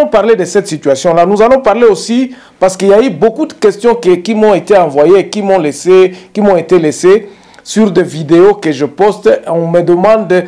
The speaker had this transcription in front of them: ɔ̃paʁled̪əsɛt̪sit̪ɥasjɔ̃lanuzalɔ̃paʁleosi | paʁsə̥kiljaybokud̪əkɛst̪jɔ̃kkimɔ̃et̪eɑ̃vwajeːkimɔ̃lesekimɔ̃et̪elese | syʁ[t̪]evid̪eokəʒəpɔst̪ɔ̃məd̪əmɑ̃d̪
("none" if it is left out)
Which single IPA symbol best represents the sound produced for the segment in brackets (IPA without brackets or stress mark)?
d̪